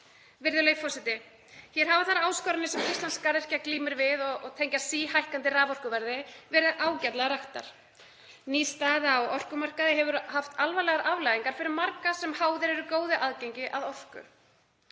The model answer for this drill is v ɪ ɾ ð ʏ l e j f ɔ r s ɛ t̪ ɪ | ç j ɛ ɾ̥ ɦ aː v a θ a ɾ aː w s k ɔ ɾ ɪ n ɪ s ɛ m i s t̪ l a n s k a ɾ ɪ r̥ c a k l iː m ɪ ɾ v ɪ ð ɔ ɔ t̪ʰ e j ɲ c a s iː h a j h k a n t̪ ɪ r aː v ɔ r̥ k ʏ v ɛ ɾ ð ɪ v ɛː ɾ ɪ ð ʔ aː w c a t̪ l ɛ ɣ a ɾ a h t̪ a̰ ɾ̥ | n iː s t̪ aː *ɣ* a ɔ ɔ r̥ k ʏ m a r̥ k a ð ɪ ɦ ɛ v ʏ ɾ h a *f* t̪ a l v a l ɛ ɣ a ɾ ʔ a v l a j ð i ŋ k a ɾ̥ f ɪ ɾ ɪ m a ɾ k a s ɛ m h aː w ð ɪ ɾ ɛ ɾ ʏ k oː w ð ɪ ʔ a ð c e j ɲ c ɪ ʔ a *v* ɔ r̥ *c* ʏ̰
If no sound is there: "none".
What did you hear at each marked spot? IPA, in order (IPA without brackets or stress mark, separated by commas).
ð, f, ð, k